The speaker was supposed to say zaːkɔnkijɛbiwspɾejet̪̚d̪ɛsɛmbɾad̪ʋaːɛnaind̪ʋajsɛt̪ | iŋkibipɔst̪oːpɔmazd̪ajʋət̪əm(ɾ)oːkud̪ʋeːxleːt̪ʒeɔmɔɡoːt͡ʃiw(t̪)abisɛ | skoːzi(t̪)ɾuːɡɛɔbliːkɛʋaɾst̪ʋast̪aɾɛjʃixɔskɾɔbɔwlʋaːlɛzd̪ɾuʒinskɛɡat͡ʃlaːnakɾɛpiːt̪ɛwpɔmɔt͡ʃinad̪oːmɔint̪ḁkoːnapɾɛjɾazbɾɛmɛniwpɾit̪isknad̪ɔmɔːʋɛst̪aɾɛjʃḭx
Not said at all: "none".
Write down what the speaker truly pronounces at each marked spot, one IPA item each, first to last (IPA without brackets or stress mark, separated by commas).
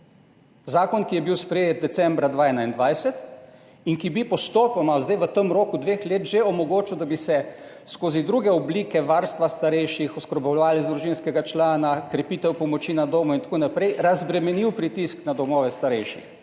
ɾ, d̪, d̪